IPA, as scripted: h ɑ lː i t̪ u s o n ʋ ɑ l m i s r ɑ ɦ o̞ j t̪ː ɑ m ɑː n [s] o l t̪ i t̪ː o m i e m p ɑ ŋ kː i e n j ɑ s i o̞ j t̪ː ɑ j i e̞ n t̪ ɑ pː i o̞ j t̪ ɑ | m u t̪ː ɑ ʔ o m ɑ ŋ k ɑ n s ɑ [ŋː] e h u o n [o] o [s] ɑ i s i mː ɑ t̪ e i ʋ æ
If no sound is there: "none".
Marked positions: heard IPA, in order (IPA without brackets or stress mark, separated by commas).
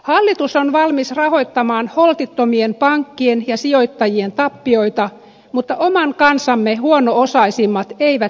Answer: h, mː, o, s